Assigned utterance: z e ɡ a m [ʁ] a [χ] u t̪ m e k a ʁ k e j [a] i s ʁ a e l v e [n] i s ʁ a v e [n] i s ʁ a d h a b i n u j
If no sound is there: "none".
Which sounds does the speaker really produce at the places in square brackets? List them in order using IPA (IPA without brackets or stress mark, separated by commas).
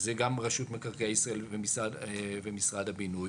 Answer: ʁ, ʃ, a, m, m